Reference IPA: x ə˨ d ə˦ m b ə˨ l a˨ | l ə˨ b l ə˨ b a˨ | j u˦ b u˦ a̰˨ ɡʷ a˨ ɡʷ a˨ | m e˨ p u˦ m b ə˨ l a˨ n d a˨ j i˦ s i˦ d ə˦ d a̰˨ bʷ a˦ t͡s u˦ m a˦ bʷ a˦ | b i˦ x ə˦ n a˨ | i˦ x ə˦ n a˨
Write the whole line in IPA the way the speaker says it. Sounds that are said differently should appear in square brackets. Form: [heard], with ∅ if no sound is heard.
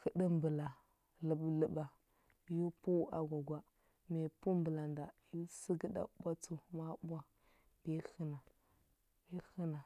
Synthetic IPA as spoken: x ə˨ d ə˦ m b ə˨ l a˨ | l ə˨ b l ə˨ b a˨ | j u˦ [p] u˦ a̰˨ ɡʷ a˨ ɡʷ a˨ | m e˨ p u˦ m b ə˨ l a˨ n d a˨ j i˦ s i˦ [ɡ] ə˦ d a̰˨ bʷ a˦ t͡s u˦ m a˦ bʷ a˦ | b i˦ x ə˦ n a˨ | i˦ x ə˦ n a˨